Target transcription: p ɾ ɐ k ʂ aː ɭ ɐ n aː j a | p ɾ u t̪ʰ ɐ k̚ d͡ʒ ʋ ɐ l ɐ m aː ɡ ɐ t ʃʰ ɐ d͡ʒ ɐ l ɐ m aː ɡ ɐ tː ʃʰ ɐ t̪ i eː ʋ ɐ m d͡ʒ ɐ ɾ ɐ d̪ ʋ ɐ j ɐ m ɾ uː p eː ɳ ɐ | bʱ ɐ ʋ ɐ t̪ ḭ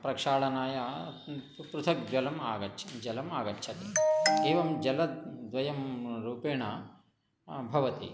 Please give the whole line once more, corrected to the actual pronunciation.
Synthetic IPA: p ɾ ɐ k ʂ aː ɭ ɐ n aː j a | p ɾ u t̪ʰ ɐ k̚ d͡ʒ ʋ ɐ l ɐ m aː ɡ ɐ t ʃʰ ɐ d͡ʒ ɐ l ɐ m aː ɡ ɐ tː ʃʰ ɐ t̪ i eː ʋ ɐ m d͡ʒ ɐ l ɐ d̪ ʋ ɐ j ɐ m ɾ uː p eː ɳ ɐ | bʱ ɐ ʋ ɐ t̪ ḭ

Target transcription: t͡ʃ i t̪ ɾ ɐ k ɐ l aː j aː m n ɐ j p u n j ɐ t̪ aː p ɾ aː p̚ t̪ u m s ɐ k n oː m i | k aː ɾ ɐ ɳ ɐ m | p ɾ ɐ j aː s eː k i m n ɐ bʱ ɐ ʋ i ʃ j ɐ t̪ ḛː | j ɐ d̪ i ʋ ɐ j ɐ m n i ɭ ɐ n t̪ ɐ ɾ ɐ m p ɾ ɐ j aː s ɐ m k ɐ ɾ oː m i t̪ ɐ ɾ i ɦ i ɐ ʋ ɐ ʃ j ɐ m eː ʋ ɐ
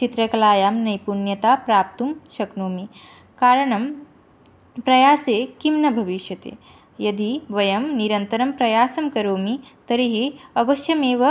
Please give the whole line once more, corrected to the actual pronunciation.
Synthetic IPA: t͡ʃ i t̪ ɾ ɐ k ɐ l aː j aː m n ɐ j p u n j ɐ t̪ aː p ɾ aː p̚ t̪ u m ʃ ɐ k n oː m i | k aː ɾ ɐ ɳ ɐ m | p ɾ ɐ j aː s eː k i m n ɐ bʱ ɐ ʋ i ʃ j ɐ t̪ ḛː | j ɐ d̪ i ʋ ɐ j ɐ m n i ɾ ɐ n t̪ ɐ ɾ ɐ m p ɾ ɐ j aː s ɐ m k ɐ ɾ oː m i t̪ ɐ ɾ i ɦ i ɐ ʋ ɐ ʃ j ɐ m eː ʋ ɐ

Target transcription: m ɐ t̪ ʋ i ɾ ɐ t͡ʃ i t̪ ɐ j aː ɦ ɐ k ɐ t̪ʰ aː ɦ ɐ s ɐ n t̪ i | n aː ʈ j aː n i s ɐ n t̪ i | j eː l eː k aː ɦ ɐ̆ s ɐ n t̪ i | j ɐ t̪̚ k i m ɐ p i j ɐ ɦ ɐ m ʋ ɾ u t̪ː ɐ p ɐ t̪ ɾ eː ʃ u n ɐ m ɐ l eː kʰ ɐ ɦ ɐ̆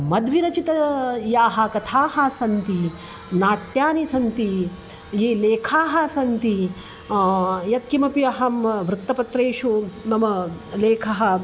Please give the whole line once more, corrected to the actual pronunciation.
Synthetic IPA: m ɐ d̪ ʋ i ɾ ɐ t͡ʃ i t̪ ɐ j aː ɦ ɐ k ɐ t̪ʰ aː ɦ ɐ s ɐ n t̪ i | n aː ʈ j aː n i s ɐ n t̪ i | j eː l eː kʰ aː ɦ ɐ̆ s ɐ n t̪ i | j ɐ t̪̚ k i m ɐ p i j ɐ ɦ ɐ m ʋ ɾ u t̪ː ɐ p ɐ t̪ ɾ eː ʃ u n ɐ m ɐ l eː kʰ ɐ ɦ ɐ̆

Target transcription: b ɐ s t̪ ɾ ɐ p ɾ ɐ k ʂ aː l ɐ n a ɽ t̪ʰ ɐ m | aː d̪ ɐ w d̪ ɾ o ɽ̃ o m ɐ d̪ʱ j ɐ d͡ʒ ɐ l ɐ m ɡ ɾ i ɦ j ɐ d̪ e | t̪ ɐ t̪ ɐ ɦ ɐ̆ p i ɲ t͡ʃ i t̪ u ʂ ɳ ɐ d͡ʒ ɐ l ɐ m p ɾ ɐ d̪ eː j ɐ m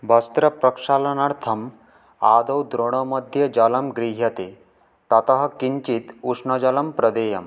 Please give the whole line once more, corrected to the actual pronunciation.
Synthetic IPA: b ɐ s t̪ ɾ ɐ p ɾ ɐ k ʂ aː l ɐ n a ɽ t̪ʰ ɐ m | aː d̪ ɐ w d̪ ɾ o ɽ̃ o m ɐ d̪ʱ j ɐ d͡ʒ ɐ l ɐ m ɡ ɾ i ɦ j ɐ t̪ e | t̪ ɐ t̪ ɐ ɦ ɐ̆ k i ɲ t͡ʃ i t̪ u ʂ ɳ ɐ d͡ʒ ɐ l ɐ m p ɾ ɐ d̪ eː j ɐ m

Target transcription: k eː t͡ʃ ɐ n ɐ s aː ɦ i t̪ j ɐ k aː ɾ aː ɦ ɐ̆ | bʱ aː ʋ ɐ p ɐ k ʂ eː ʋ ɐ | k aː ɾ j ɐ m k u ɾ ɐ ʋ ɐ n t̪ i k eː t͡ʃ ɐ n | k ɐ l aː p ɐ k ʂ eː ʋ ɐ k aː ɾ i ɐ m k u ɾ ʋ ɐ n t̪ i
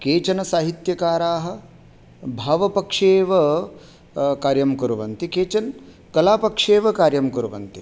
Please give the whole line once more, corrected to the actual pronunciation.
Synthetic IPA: k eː t͡ʃ ɐ n ɐ s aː ɦ i t̪ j ɐ k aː ɾ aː ɦ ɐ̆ | bʱ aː ʋ ɐ p ɐ k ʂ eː ʋ ɐ | k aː ɾ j ɐ m k u ɾ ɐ ʋ ɐ n t̪ i k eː t͡ʃ ɐ n | k ɐ l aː p ɐ k ʂ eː ʋ ɐ k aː ɾ j ɐ m k u ɾ ʋ ɐ n t̪ i

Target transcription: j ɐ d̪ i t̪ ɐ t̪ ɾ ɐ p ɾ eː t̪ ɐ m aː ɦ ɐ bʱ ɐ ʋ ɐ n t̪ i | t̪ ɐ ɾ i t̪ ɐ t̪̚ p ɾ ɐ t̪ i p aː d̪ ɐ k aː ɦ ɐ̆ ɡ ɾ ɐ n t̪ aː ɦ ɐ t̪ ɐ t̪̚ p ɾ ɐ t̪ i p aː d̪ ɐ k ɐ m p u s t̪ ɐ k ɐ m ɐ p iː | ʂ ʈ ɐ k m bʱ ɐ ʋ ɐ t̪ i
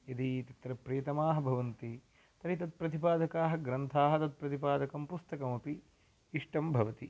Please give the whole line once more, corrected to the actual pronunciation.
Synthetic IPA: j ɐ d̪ i t̪ ɐ t̪ ɾ ɐ p ɾ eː t̪ ɐ m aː ɦ ɐ bʱ ɐ ʋ ɐ n t̪ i | t̪ ɐ ɾ i t̪ ɐ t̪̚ p ɾ ɐ t̪ i p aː d̪ ɐ k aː ɦ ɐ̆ ɡ ɾ ɐ n t̪ʰ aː ɦ ɐ t̪ ɐ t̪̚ p ɾ ɐ t̪ i p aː d̪ ɐ k ɐ m p u s t̪ ɐ k ɐ m ɐ p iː | ʂ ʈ ɐ m bʱ ɐ ʋ ɐ t̪ i

